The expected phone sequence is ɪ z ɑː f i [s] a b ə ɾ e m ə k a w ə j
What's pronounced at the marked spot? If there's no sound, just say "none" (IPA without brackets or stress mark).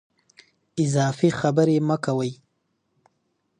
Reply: x